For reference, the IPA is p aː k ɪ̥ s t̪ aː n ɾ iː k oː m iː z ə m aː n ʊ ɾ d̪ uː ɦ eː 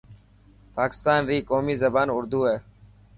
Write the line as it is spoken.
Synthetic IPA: p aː k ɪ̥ s t̪ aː n ɾ iː k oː m iː z ə b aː n ʊ ɾ d̪ uː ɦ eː